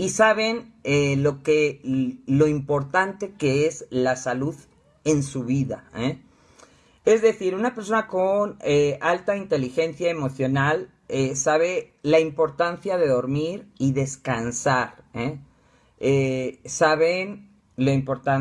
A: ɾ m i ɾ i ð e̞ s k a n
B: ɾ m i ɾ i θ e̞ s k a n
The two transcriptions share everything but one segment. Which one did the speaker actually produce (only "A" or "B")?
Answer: A